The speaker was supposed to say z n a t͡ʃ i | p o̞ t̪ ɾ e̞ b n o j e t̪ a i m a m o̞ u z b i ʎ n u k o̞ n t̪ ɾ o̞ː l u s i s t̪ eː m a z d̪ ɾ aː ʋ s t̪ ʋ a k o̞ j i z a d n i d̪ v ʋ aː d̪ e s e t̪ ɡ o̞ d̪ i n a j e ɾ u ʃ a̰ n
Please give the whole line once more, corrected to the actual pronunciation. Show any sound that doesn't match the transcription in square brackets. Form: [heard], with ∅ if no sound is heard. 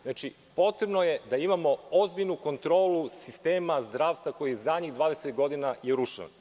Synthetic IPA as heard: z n a t͡ʃ i | p o̞ t̪ ɾ e̞ b n o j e [d̪] a i m a m o̞ [o] z b i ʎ n u k o̞ n t̪ ɾ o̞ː l u s i s t̪ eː m a z d̪ ɾ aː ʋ s t̪ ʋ a k o̞ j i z a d [ɲ] i d̪ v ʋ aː d̪ e s e t̪ ɡ o̞ d̪ i n a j e ɾ u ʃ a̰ n